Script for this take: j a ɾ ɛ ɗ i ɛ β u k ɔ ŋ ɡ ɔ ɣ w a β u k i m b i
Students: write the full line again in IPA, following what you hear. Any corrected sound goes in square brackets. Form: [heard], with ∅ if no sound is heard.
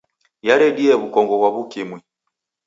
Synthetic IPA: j a ɾ ɛ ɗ i ɛ β u k ɔ ŋ ɡ ɔ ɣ w a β u k i m [w] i